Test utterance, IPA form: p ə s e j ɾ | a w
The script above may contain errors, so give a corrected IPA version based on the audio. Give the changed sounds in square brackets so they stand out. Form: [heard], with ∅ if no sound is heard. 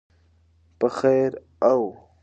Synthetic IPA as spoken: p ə [x] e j ɾ | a w